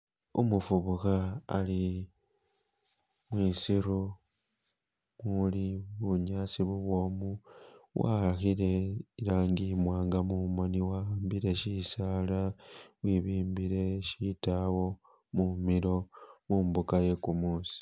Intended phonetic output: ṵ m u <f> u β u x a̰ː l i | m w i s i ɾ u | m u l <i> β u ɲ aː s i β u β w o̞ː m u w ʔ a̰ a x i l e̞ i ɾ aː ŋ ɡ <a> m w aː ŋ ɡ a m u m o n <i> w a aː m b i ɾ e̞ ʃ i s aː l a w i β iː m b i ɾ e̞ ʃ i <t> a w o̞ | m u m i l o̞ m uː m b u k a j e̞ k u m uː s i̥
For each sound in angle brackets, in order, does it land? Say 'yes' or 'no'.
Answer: yes, yes, no, yes, yes

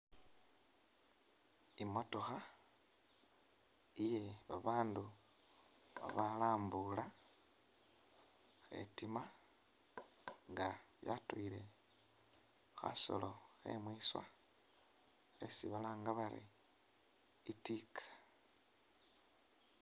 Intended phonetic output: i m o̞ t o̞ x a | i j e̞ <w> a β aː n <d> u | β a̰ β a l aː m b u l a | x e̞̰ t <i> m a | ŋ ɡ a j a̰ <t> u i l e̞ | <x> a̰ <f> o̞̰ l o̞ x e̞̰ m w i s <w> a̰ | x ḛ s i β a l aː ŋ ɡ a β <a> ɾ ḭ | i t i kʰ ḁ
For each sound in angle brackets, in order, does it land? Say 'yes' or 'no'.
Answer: no, yes, yes, yes, yes, no, yes, yes

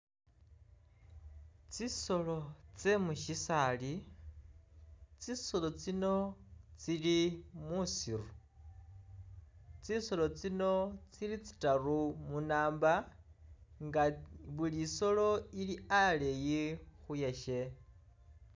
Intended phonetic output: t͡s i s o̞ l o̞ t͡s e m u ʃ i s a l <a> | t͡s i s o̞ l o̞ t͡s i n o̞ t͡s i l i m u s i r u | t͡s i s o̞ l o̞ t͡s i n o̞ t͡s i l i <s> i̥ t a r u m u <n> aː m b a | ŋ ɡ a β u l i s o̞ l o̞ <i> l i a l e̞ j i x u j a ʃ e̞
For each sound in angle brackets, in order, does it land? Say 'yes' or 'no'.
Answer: no, no, yes, yes

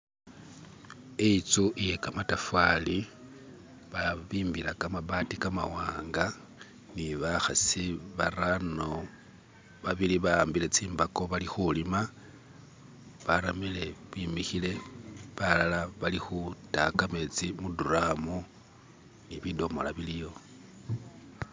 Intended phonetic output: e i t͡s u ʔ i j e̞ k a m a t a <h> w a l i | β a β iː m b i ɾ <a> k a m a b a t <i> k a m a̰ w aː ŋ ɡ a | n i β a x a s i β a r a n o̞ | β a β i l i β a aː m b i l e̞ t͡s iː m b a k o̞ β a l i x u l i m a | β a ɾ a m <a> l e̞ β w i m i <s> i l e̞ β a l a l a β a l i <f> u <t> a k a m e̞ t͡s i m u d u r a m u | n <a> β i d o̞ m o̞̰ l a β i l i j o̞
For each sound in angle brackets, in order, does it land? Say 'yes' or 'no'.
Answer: no, yes, yes, no, no, no, yes, no

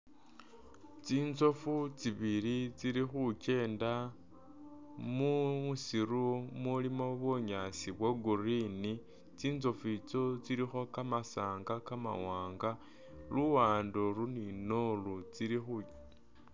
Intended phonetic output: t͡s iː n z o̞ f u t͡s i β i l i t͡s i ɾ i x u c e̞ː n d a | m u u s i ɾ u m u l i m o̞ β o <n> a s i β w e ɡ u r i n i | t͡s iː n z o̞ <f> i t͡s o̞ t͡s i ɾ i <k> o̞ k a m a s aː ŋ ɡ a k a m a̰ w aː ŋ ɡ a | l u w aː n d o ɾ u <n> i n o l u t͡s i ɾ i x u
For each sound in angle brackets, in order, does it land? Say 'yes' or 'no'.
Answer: no, yes, no, yes

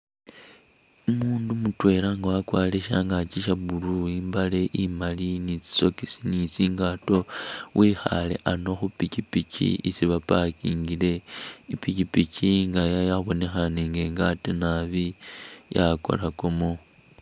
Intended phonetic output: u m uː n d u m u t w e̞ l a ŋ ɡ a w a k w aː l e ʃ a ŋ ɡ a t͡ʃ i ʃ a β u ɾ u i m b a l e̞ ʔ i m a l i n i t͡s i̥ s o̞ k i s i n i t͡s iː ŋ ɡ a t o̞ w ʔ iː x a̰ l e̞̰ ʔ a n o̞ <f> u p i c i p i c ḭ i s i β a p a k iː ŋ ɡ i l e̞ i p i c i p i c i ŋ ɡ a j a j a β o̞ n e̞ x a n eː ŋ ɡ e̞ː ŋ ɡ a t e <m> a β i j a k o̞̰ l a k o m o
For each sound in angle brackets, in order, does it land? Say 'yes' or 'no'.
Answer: no, no

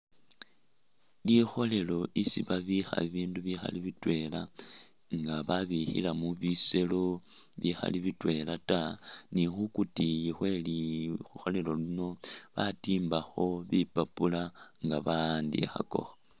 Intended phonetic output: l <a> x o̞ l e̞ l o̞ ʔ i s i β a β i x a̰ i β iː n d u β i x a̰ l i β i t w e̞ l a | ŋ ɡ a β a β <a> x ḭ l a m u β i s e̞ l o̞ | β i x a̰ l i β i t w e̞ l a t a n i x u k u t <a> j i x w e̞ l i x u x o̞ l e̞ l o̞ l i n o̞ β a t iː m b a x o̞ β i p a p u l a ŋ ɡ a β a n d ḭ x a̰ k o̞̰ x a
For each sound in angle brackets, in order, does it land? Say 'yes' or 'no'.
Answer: no, no, no

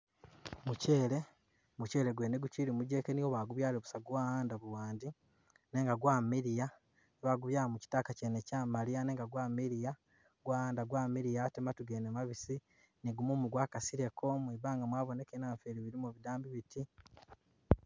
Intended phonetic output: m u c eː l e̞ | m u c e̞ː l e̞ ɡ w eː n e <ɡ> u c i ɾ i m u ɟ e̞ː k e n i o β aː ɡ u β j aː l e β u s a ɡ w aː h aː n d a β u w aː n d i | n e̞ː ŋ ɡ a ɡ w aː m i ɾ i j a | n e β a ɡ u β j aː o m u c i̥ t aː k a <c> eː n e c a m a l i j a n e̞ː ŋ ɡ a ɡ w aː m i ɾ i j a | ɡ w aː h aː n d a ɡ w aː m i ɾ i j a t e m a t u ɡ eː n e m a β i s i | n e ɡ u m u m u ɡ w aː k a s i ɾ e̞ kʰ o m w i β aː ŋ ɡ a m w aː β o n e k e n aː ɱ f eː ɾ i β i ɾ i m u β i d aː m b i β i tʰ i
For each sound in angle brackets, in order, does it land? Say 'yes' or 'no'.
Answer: yes, yes

